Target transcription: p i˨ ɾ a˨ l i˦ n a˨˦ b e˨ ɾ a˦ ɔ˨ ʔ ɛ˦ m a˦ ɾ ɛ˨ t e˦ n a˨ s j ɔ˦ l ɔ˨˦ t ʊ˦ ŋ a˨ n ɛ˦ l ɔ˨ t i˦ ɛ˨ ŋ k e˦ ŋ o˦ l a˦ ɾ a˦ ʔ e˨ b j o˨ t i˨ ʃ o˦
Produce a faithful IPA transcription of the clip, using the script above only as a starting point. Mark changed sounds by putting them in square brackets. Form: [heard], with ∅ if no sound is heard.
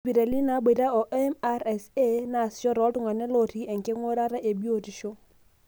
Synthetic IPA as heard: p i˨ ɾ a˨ l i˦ n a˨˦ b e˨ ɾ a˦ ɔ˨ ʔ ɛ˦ m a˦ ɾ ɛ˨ [s] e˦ n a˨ s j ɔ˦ [ɾ] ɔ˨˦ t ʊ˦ ŋ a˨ n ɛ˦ l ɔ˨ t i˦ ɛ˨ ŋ k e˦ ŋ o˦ [ɾ] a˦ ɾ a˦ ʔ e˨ b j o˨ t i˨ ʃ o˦